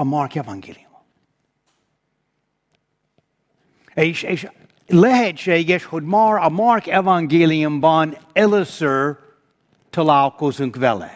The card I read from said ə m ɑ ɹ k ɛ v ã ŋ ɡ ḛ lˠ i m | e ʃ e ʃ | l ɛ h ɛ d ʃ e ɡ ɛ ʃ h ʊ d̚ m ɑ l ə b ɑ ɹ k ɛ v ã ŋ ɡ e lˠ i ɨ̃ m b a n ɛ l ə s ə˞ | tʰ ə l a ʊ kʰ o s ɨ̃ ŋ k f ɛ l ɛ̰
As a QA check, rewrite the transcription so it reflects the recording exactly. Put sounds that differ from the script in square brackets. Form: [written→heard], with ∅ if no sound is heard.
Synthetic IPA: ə m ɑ ɹ k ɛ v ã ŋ ɡ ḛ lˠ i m | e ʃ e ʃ | l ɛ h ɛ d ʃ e ɡ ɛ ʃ h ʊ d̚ m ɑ [l→ɹ] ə [b→m] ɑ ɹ k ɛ v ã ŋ ɡ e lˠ i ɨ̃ m b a n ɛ l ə s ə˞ | tʰ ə l a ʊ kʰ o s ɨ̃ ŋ k [f→v] ɛ l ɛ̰